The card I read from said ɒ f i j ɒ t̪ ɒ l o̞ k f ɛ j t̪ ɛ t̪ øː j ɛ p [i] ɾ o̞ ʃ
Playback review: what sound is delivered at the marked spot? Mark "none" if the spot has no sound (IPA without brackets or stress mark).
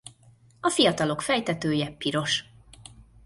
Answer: i